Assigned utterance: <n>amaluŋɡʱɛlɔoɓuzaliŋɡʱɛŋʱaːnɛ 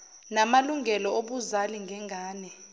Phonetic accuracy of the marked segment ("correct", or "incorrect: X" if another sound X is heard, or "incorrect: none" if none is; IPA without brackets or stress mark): correct